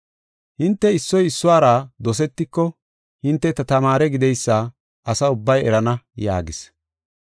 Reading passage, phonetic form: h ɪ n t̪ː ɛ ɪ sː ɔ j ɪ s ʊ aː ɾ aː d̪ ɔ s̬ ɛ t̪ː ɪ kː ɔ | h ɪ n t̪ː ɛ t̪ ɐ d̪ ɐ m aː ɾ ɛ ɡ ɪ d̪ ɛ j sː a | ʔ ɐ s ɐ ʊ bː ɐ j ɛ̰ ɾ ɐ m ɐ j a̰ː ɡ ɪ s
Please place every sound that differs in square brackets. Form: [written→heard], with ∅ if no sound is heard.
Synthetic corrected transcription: h ɪ n t̪ː ɛ ɪ sː ɔ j ɪ [s→sː] ʊ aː ɾ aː d̪ ɔ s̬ ɛ t̪ː ɪ kː ɔ | h ɪ n t̪ː ɛ t̪ ɐ [d̪→t̪] ɐ m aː ɾ ɛ ɡ ɪ d̪ ɛ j sː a | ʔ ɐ s ɐ ʊ bː ɐ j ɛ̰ ɾ ɐ [m→n] ɐ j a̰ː ɡ ɪ s